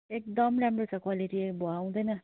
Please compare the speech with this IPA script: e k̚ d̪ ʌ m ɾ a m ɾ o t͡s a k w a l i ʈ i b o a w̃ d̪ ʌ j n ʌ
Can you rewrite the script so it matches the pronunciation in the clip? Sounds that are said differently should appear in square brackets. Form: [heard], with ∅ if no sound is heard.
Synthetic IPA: e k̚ d̪ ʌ m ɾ a m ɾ o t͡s a k w a l i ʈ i b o a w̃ d̪ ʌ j n ʌ